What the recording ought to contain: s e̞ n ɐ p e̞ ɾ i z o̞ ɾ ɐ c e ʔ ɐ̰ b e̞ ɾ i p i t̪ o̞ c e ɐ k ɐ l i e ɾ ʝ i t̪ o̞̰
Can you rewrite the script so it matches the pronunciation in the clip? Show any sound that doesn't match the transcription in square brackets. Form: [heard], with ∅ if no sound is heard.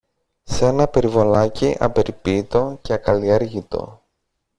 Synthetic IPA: s e̞ n ɐ p e̞ ɾ i [v] o̞ [l] ɐ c [i] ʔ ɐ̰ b e̞ ɾ i p i t̪ o̞ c e ɐ k ɐ l i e ɾ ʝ i t̪ o̞̰